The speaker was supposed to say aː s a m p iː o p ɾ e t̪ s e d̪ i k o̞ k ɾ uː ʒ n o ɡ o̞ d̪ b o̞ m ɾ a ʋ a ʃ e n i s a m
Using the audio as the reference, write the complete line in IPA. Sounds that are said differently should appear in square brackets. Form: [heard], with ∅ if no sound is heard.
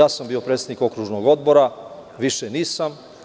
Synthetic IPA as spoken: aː s a m [b] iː o p ɾ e t̪ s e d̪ i k o̞ k ɾ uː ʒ n o ɡ o̞ d̪ b o̞ [∅] ɾ a ʋ [i] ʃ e n [iː] s a m